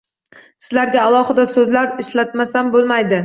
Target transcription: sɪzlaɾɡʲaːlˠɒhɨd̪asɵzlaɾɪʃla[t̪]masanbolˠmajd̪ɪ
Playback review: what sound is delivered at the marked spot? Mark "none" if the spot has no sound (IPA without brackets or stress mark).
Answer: t̪